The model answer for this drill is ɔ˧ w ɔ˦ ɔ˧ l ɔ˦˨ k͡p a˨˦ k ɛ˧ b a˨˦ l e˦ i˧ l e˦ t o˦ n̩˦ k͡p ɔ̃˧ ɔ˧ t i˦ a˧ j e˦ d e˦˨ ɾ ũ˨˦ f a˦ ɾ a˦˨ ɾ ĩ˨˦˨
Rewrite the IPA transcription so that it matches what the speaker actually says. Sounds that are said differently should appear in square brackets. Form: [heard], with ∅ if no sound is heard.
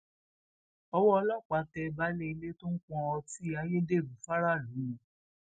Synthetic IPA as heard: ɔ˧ w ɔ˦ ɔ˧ l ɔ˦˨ k͡p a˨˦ [t] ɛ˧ b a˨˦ l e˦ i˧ l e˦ t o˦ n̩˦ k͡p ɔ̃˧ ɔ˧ t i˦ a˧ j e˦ d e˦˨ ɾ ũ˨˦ f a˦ ɾ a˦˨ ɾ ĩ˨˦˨

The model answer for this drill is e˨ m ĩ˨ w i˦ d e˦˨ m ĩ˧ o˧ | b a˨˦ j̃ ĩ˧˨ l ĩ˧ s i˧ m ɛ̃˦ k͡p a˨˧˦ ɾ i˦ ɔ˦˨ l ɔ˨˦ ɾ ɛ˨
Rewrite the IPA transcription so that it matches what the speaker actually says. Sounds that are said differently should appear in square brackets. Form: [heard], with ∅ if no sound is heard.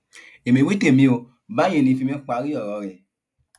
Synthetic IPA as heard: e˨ m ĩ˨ w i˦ [t] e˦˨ m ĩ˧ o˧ | b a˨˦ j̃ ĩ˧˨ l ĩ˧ [f] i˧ m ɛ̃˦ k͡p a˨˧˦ ɾ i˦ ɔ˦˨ [ɾ] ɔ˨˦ ɾ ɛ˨

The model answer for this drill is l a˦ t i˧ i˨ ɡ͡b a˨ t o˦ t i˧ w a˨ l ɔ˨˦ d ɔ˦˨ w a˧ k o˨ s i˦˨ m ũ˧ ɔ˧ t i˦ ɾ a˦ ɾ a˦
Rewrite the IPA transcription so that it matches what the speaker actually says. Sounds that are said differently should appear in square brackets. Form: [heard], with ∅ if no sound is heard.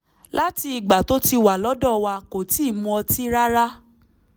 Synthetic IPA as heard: l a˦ t i˧ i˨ ɡ͡b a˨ t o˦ t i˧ w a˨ l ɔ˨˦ d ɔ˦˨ w a˧ k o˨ [t] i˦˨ m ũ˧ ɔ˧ t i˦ ɾ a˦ ɾ a˦

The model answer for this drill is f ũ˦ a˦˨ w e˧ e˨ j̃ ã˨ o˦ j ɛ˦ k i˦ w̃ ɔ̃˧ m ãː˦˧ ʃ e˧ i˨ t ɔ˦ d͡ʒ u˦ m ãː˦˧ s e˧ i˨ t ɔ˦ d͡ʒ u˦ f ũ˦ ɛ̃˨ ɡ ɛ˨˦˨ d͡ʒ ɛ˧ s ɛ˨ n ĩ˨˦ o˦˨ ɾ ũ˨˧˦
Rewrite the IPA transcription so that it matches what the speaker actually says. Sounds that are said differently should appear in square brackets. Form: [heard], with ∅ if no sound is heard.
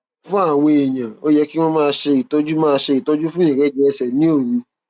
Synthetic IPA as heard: f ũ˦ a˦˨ w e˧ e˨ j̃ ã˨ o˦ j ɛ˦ k i˦ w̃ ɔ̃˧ m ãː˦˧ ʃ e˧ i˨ t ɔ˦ d͡ʒ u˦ m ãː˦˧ [ʃ] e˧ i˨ t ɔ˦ d͡ʒ u˦ f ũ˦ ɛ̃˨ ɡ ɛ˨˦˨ d͡ʒ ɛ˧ s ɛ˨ n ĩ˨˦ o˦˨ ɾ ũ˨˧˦

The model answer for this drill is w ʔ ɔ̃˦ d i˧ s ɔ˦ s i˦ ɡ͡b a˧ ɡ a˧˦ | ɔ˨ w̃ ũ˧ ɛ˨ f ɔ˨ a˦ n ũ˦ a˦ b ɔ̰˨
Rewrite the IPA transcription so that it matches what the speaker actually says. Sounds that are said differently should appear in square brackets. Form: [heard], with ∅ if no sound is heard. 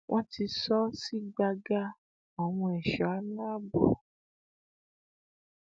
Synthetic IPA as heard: w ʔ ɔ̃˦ [t] i˧ s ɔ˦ s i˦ ɡ͡b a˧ ɡ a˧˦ | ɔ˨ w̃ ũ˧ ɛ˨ [ʃ] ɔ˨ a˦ n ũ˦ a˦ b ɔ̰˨

